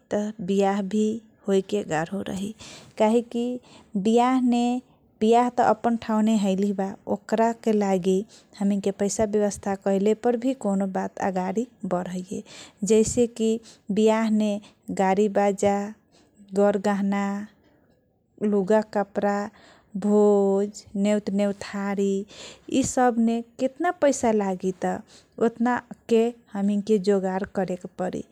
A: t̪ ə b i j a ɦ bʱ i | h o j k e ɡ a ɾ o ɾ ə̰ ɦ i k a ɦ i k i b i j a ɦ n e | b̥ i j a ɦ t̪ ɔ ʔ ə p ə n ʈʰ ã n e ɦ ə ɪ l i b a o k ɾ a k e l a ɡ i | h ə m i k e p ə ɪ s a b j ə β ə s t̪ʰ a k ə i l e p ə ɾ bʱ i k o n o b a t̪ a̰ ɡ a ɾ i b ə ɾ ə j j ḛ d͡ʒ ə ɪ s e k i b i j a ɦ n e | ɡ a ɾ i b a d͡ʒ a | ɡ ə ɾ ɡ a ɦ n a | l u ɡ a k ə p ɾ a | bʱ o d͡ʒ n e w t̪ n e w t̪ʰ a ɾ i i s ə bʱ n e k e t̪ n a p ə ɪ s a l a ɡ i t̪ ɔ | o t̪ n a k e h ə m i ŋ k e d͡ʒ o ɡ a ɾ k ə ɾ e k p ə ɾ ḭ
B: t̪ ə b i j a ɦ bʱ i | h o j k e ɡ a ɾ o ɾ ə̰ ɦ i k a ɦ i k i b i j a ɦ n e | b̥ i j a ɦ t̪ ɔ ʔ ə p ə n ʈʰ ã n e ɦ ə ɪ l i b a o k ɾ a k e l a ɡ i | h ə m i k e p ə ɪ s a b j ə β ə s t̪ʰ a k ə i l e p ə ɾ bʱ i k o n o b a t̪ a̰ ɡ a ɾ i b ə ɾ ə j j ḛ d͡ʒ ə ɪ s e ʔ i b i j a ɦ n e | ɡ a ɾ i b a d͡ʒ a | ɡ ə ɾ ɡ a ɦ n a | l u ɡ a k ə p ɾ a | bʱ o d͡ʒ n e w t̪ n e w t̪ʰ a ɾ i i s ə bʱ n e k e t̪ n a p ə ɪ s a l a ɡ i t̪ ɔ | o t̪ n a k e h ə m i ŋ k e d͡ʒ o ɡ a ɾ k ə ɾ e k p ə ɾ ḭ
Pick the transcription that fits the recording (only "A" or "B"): A